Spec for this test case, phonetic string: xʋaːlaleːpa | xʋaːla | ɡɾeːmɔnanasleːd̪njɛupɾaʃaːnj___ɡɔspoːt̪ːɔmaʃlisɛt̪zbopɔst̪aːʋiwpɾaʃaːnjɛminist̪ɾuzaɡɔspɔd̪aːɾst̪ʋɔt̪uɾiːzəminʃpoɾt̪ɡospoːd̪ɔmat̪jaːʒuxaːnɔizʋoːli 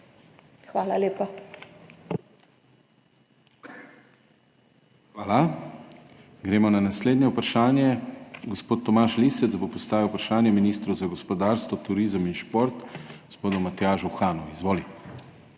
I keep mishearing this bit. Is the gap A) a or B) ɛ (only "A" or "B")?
B